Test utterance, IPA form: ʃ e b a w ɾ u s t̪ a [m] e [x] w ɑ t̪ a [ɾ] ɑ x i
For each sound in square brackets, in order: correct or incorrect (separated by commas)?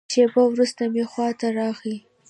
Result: correct, correct, correct